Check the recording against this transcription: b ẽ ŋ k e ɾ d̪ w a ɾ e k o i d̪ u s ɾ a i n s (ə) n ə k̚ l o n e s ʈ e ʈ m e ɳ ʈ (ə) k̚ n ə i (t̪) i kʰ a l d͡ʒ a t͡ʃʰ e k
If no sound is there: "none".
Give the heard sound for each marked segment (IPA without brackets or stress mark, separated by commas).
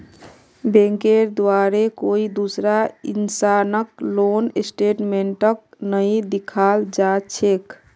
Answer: a, ə, d̪